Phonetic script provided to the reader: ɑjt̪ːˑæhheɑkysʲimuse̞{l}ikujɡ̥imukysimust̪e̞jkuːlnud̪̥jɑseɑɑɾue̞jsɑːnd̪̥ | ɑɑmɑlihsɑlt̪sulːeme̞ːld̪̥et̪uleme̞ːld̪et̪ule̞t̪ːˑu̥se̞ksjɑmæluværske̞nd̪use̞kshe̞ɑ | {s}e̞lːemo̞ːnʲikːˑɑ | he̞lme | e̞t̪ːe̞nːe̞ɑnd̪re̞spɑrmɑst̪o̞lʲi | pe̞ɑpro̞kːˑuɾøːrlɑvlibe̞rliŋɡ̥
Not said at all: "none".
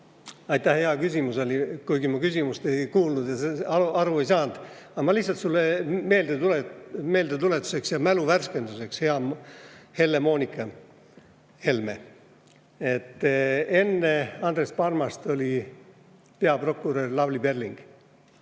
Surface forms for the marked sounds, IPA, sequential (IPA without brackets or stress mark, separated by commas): l, h